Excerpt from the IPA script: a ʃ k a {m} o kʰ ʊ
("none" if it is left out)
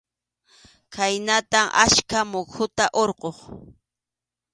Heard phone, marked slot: m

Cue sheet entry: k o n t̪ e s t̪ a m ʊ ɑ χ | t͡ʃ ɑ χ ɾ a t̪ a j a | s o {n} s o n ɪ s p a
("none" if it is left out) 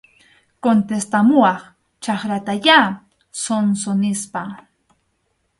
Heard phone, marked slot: n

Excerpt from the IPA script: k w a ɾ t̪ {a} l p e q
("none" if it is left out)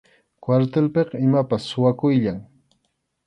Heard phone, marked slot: e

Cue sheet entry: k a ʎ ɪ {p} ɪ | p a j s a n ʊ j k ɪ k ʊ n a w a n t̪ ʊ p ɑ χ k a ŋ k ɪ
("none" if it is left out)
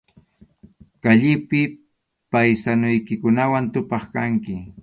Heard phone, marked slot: p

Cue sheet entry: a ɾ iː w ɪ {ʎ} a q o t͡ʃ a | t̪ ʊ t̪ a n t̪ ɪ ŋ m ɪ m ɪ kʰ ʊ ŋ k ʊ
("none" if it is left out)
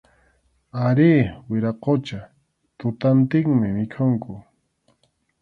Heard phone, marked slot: ɾ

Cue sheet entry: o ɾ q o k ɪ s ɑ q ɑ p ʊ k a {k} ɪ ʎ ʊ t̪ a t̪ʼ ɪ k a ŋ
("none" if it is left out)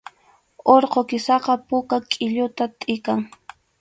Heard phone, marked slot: kʼ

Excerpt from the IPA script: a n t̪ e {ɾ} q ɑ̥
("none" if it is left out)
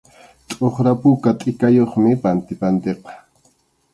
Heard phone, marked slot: none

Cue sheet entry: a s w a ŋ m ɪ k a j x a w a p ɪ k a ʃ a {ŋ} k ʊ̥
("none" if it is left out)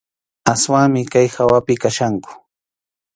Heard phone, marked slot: ŋ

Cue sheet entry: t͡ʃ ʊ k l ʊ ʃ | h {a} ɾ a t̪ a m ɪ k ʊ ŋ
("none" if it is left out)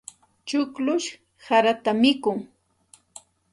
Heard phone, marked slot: a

